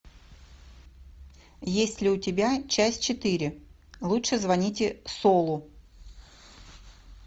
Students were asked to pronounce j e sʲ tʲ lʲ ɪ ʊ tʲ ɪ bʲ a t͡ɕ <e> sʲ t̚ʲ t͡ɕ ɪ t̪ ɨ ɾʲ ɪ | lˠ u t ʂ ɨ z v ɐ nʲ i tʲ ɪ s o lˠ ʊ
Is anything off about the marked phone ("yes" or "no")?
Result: yes